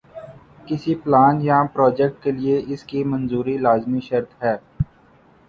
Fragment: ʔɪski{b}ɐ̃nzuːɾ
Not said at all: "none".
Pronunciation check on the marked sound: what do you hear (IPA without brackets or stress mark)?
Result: m